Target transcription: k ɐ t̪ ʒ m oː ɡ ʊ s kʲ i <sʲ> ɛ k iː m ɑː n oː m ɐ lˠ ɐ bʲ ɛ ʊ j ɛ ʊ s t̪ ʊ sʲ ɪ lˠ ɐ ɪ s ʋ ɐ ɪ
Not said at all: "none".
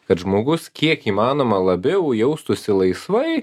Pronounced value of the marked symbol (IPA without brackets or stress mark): none